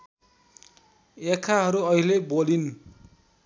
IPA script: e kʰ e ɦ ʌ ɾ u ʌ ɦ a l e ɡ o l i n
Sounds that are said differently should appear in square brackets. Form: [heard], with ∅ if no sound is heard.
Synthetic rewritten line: e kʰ [a] ɦ ʌ ɾ u ʌ ɦ [i] l e [b] o l i n